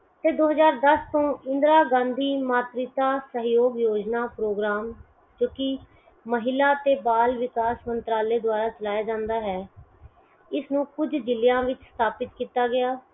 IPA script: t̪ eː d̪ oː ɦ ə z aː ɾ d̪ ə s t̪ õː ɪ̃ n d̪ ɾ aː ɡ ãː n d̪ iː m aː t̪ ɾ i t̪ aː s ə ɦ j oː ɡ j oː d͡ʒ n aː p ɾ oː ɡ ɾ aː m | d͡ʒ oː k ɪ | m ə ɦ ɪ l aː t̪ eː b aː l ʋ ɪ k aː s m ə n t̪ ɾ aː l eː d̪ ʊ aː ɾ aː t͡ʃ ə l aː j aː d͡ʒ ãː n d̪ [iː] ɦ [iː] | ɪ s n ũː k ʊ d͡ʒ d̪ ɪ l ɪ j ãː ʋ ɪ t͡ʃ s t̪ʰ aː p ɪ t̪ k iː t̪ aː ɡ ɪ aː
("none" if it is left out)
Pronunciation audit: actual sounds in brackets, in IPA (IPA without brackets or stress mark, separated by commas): aː, ɛː